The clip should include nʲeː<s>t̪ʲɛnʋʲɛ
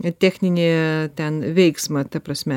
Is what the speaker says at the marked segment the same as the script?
no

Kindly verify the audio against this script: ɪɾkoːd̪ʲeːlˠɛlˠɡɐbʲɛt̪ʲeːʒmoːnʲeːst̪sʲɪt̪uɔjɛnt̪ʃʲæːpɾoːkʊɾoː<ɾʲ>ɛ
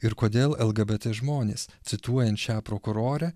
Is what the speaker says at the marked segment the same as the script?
yes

